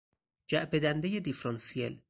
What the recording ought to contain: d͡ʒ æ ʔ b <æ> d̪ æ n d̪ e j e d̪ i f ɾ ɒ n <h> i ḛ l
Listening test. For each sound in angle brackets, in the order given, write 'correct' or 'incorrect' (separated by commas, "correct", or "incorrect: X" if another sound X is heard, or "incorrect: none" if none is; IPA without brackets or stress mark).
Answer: incorrect: e, incorrect: s